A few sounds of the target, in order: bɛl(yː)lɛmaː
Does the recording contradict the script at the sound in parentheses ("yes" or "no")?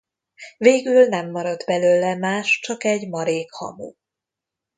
yes